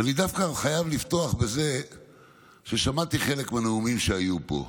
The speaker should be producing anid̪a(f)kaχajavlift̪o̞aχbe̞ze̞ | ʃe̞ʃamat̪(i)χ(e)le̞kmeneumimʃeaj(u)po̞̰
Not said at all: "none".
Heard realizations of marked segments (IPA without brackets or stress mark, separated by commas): f, i, e, u